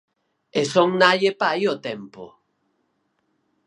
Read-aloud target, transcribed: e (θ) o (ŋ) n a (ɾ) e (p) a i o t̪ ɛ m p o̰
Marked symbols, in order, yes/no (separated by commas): no, yes, no, yes